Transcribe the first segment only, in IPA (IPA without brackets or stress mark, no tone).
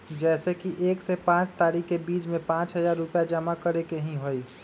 d͡ʒ